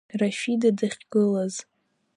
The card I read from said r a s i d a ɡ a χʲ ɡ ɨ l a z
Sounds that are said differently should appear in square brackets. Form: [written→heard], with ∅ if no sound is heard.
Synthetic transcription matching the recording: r a [s→ʃ] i d a [ɡ→d] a χʲ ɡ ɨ l a z